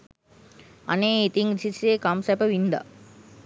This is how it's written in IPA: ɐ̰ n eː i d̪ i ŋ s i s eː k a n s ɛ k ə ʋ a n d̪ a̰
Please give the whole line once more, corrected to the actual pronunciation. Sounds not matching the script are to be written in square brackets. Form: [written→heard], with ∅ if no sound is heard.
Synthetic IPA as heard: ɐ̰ n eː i [d̪→t̪] i ŋ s i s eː k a [n→m] s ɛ [k→p] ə ʋ [a→i] n d̪ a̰